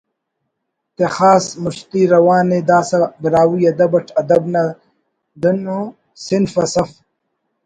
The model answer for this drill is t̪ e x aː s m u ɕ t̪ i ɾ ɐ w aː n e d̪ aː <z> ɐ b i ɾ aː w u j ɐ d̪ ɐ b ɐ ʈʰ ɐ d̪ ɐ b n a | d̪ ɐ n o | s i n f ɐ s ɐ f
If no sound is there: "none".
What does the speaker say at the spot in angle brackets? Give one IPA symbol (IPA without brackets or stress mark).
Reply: s